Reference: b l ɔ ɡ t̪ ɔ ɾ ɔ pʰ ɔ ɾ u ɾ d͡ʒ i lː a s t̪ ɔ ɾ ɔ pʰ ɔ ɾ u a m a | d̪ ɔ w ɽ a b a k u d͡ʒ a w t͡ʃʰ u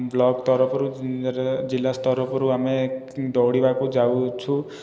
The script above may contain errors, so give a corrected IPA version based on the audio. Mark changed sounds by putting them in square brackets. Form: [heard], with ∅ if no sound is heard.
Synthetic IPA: b l ɔ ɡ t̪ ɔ ɾ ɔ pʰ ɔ ɾ u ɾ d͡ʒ i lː a s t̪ ɔ ɾ ɔ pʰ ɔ ɾ u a m [e] | d̪ ɔ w ɽ [i] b a k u d͡ʒ a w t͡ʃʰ u